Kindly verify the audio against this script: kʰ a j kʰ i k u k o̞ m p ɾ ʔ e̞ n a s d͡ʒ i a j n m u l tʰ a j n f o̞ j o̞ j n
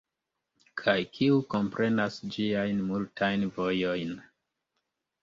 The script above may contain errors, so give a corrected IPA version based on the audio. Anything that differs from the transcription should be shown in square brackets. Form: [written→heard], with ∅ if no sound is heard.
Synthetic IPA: kʰ a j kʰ i [k→∅] u k o̞ m p ɾ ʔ e̞ n a s d͡ʒ i a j n m u l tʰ a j n [f→v] o̞ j o̞ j n